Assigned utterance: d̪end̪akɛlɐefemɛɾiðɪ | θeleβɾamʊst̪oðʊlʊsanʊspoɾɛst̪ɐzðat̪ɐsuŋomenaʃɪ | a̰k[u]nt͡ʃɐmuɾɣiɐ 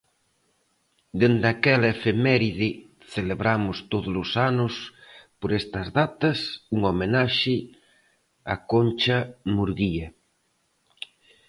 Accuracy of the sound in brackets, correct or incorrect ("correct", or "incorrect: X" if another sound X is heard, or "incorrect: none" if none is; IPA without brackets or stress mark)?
incorrect: o